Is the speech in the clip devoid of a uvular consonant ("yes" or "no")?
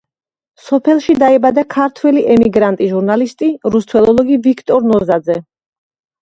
yes